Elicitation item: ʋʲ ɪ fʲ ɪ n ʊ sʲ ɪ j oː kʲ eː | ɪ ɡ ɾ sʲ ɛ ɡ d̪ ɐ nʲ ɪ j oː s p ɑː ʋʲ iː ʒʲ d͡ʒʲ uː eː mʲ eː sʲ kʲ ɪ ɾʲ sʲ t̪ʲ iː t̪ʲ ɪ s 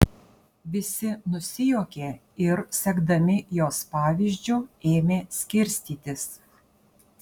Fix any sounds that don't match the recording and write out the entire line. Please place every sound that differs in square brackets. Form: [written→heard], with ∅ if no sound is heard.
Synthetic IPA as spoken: ʋʲ ɪ [fʲ→sʲ] ɪ n ʊ sʲ ɪ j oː kʲ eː | ɪ [ɡ→∅] ɾ sʲ ɛ ɡ d̪ ɐ [nʲ→mʲ] ɪ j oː s p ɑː ʋʲ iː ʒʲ d͡ʒʲ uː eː mʲ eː sʲ kʲ ɪ ɾʲ sʲ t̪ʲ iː t̪ʲ ɪ s